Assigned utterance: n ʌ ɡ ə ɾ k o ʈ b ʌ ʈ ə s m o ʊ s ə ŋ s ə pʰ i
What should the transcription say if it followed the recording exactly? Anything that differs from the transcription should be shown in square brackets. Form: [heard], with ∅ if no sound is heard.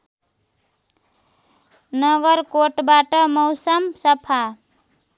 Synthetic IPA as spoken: n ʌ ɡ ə ɾ k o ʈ b [a] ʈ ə [∅] m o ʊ s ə [m] s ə pʰ [a]